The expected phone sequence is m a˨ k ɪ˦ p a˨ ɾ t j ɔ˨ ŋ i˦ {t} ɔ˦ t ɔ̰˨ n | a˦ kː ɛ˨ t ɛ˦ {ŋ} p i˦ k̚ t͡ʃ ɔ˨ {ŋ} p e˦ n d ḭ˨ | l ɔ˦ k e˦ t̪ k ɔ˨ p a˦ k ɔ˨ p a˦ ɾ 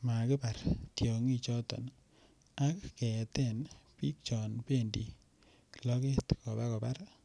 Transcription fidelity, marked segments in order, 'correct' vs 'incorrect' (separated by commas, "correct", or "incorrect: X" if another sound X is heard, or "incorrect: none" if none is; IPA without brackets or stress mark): incorrect: t͡ʃ, incorrect: n, incorrect: n